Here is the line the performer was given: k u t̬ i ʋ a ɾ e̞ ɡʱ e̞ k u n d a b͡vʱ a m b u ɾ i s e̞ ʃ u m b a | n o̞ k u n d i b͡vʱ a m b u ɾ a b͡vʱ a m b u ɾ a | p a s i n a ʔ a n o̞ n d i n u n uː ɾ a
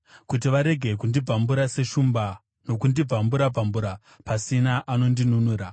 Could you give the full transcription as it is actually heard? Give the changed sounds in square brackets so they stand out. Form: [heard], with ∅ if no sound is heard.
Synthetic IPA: k u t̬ i ʋ a ɾ e̞ ɡʱ e̞ k u n d [i] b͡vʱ a m b u ɾ [a] s e̞ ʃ u m b a | n o̞ k u n d i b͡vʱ a m b u ɾ a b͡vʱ a m b u ɾ a | p a s i n a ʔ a n o̞ n d i n u n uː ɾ a